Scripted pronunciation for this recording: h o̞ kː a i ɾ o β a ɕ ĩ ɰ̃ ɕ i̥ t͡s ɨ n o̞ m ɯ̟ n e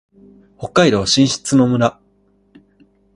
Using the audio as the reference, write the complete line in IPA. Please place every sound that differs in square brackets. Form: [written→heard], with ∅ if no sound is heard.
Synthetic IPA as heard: h o̞ kː a i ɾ o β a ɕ ĩ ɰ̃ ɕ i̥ t͡s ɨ n o̞ m ɯ̟ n [e→a]